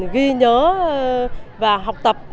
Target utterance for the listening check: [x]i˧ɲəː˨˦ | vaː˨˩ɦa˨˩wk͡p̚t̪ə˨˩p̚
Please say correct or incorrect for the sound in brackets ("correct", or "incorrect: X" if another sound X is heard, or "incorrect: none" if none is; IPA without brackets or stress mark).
incorrect: ɣ